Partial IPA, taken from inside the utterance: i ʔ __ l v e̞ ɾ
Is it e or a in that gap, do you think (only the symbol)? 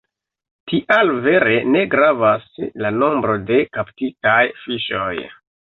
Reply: a